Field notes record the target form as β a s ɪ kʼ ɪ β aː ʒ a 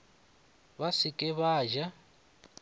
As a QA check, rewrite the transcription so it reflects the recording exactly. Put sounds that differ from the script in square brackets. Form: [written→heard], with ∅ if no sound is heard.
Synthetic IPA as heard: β a s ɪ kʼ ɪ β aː ʒ a